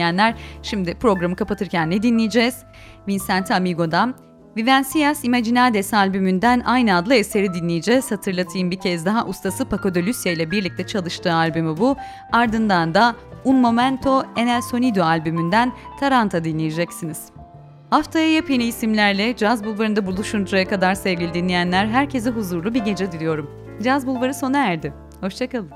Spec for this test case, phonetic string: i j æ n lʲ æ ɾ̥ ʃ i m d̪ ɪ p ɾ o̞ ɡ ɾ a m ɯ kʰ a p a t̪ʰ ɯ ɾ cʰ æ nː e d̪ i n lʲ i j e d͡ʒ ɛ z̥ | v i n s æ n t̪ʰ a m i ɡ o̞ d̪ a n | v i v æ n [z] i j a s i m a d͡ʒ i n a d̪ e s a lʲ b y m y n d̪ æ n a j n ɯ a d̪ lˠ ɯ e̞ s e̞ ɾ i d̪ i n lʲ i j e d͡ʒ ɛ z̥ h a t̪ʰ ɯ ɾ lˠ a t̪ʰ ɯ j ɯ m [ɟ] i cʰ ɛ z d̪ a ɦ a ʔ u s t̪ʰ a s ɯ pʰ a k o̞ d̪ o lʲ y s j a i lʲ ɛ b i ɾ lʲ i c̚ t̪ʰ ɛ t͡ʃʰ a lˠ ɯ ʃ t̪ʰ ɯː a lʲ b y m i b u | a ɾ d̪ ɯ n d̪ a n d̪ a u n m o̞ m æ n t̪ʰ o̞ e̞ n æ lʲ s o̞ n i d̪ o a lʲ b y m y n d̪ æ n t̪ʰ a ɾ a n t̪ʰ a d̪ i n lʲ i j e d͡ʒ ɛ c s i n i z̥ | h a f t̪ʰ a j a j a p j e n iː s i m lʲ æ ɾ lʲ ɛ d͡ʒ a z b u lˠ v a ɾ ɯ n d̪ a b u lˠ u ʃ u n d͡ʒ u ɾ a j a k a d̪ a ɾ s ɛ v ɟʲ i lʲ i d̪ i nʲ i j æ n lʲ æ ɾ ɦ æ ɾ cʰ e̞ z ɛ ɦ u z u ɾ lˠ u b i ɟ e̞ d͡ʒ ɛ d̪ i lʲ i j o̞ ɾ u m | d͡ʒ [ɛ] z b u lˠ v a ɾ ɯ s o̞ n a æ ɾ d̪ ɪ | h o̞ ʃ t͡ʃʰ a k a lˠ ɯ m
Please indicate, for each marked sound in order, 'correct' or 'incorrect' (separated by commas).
incorrect, incorrect, incorrect